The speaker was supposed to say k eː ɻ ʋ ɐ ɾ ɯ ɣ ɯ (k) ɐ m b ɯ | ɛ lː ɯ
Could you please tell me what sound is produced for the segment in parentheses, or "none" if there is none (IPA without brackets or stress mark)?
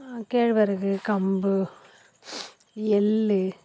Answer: k